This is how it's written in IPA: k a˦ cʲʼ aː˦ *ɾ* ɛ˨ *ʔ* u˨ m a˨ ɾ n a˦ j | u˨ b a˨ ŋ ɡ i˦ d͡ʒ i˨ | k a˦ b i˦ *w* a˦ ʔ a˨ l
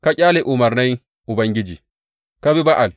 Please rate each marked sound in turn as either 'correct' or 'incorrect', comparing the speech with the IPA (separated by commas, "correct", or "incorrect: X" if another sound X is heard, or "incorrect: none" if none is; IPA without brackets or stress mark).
incorrect: l, correct, incorrect: b